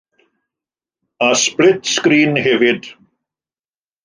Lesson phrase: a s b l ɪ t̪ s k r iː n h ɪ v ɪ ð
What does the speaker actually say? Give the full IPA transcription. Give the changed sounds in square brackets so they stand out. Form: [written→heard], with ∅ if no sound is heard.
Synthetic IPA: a s [b→p] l ɪ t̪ s k [r→ɾ] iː n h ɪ v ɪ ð